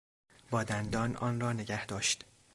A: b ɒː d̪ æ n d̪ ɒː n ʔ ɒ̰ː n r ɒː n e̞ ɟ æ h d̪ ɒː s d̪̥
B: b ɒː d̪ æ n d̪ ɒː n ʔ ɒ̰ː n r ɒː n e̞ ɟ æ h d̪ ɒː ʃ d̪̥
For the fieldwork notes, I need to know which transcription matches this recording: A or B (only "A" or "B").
B